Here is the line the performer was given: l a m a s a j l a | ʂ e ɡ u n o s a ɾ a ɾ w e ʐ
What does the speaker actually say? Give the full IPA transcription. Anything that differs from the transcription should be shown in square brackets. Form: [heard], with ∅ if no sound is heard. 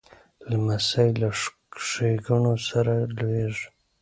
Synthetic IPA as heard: l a m a s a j l a | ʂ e ɡ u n o s a ɾ a [l] w e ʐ